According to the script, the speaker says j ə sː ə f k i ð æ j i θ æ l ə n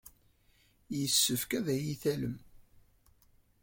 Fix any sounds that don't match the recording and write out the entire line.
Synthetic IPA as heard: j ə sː ə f k æ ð æ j i θ æ l ə m